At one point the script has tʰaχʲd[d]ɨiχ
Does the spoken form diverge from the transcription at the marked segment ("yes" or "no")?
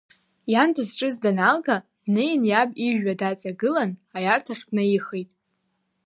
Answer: yes